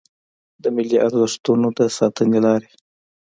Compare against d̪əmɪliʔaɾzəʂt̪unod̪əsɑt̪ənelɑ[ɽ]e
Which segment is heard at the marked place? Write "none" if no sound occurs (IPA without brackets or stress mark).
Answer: ɾ